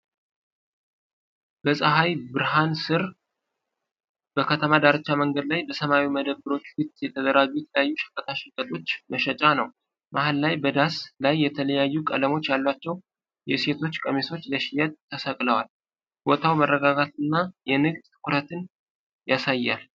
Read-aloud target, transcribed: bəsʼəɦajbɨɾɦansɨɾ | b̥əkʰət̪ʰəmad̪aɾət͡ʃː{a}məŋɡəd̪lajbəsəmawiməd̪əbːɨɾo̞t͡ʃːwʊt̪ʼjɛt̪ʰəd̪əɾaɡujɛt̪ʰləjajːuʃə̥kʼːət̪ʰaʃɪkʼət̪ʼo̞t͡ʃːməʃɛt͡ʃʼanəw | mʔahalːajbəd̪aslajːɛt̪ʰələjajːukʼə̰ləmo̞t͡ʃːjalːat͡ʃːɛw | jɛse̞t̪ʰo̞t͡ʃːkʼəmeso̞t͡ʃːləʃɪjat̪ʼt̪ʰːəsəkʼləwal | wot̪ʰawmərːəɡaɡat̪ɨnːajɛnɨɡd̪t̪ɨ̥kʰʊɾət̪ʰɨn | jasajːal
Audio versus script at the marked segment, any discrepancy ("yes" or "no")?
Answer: no